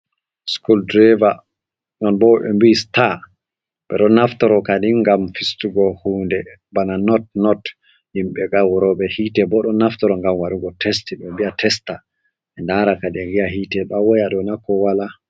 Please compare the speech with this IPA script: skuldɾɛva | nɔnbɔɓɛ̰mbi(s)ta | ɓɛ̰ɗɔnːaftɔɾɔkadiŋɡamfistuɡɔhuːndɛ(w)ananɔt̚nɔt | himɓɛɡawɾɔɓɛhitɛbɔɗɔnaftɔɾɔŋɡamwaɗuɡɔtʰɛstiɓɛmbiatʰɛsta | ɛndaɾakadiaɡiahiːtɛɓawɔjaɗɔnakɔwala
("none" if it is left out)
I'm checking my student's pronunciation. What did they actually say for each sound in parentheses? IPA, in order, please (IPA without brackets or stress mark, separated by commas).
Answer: s, b